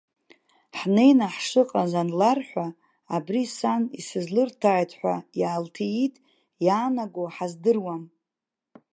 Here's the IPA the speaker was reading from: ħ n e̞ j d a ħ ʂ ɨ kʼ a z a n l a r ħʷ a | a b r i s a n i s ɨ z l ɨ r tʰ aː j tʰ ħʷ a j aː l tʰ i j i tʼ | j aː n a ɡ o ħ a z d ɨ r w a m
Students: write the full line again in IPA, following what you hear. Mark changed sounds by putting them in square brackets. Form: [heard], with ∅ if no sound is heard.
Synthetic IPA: ħ n e̞ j [n] a ħ ʂ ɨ [qʼ] a z a n l a r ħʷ a | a b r i s a n i s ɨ z l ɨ r tʰ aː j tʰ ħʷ a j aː l tʰ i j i tʼ | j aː n a ɡ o ħ a z d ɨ r w a m